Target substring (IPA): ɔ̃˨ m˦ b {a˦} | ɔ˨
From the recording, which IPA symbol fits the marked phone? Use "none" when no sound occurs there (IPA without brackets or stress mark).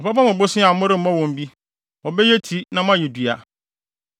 i˦